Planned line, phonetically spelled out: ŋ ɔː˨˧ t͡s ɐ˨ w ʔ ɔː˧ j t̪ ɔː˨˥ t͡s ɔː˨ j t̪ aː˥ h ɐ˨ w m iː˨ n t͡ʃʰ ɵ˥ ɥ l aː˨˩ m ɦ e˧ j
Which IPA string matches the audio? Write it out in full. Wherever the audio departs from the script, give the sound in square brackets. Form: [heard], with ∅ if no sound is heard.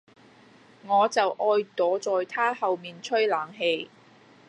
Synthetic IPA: ŋ ɔː˨˧ t͡s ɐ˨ w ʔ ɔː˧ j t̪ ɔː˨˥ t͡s ɔː˨ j [t̪ʰ] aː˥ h ɐ˨ w m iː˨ n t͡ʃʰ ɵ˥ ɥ l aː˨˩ [ŋ] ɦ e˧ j